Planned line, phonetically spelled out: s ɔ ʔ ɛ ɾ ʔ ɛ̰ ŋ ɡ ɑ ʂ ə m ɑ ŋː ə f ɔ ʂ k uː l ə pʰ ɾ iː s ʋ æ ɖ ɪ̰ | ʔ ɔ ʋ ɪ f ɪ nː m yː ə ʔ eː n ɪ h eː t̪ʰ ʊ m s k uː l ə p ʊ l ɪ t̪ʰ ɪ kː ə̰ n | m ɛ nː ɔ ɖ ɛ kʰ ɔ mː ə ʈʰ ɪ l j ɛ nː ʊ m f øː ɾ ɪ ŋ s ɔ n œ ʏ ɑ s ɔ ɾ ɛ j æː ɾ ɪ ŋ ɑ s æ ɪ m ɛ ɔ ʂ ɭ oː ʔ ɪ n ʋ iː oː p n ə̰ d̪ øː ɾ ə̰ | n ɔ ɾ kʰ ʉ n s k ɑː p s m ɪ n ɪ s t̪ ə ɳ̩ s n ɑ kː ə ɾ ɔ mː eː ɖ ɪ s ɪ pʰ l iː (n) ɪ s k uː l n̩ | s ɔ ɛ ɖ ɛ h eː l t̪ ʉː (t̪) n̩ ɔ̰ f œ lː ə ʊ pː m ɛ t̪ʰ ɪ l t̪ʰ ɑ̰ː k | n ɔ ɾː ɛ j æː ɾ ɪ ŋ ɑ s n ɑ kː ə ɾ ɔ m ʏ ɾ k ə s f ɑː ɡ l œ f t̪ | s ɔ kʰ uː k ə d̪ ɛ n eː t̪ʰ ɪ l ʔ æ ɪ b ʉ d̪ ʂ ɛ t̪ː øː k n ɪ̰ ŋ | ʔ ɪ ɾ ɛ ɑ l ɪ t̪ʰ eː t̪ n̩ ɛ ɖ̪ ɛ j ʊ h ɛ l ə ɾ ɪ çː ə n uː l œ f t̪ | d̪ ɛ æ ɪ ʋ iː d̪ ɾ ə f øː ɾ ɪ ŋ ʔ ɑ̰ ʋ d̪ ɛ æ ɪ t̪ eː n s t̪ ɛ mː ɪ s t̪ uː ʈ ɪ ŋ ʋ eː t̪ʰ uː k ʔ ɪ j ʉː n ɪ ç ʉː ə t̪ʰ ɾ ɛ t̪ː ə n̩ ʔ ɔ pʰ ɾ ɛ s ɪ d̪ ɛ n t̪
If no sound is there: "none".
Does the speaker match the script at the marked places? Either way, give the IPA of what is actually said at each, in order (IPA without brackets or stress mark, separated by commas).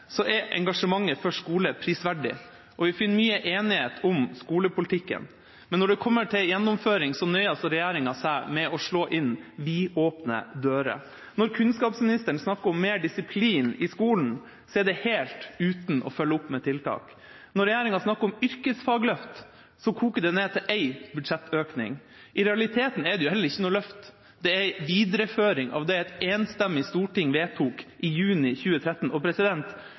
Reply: n, t̪